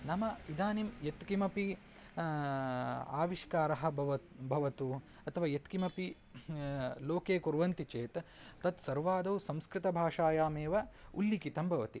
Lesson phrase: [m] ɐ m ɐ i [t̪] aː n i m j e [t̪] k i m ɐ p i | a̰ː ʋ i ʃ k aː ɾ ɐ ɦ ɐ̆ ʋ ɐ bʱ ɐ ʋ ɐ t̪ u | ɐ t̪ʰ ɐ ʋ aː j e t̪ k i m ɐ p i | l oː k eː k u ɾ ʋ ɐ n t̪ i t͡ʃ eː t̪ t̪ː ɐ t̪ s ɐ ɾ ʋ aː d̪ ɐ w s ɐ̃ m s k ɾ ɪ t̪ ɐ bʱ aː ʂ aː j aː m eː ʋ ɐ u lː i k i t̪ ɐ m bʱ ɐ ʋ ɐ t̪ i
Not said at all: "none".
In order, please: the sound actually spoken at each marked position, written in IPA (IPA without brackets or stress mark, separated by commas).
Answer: n, d̪, t̪